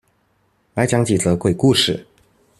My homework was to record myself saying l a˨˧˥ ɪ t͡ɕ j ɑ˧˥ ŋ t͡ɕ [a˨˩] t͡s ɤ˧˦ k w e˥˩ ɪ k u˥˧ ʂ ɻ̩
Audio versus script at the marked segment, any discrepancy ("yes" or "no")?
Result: yes